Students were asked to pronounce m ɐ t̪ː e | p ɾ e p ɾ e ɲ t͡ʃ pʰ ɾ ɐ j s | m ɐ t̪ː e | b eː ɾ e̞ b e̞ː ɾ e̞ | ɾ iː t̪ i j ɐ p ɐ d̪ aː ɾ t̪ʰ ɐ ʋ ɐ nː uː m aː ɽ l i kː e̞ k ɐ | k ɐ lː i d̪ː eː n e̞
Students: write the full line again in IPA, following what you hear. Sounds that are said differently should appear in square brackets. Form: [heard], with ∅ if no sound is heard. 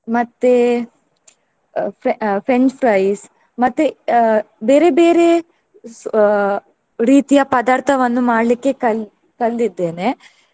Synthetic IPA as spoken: m ɐ t̪ː e | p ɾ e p ɾ e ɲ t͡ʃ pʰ ɾ ɐ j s | m ɐ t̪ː e | b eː ɾ e̞ b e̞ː ɾ e̞ | ɾ iː t̪ i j ɐ p ɐ d̪ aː ɾ t̪ʰ ɐ ʋ ɐ nː [u] m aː ɽ l i kː e̞ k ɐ | k ɐ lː i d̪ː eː n e̞